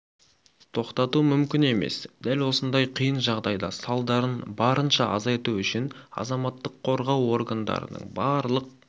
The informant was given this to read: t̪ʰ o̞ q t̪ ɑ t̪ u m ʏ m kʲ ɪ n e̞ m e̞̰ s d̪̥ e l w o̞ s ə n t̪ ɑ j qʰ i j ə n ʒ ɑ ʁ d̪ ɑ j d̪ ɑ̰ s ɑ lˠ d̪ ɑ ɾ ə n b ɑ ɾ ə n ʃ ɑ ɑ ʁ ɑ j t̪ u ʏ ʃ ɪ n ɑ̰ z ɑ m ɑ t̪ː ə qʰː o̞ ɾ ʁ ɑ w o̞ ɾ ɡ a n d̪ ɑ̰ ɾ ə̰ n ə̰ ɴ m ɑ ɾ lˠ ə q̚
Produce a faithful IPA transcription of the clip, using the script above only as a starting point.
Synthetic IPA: t̪ʰ o̞ q t̪ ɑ t̪ u m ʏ m kʲ ɪ n e̞ m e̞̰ s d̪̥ æ l w o̞ s ə n d̪ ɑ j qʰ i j ə n ʒ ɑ ʁ d̪ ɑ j d̪ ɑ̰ s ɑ lˠ d̪ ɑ ɾ ə n b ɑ ɾ ə n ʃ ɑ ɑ z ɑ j t̪ u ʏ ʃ ɪ n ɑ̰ z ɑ m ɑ t̪ː ə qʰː o̞ ɾ ʁ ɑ w o̞ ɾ ɡ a n d̪ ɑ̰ ɾ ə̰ n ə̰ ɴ b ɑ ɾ lˠ ə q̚